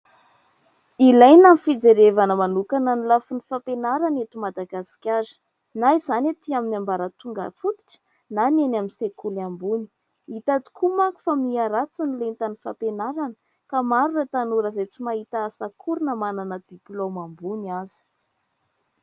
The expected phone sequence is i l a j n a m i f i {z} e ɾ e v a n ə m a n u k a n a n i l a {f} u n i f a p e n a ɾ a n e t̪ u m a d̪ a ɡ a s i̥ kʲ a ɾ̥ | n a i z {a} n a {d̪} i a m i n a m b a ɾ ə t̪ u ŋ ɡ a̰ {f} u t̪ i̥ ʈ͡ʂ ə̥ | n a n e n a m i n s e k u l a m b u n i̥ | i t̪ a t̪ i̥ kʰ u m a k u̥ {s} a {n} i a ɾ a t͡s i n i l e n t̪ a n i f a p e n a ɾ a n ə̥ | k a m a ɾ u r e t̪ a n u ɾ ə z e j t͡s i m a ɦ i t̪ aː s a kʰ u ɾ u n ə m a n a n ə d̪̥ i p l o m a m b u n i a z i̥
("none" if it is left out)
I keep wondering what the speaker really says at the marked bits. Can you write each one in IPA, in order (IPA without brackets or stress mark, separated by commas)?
d͡z, f, a, t̪, f, f, m